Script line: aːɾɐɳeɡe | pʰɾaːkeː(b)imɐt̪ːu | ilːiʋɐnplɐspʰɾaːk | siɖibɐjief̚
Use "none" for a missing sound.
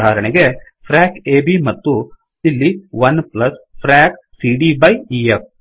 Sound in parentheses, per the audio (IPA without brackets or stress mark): b